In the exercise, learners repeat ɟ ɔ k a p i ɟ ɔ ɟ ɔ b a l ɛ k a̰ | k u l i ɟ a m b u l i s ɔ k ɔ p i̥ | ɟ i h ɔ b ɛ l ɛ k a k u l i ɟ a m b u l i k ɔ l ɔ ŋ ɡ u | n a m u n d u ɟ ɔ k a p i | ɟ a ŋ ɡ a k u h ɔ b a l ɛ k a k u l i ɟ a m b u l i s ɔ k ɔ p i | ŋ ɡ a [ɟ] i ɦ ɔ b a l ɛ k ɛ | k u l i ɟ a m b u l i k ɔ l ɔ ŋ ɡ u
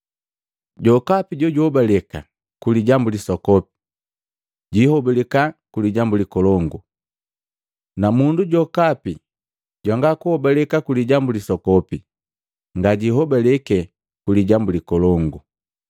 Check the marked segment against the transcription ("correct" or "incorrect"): correct